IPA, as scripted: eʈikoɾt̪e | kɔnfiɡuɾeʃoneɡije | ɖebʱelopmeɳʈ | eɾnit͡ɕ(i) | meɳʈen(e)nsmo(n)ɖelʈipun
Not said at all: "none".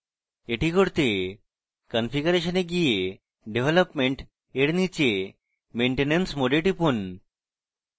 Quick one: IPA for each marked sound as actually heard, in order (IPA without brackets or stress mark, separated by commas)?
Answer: e, e, none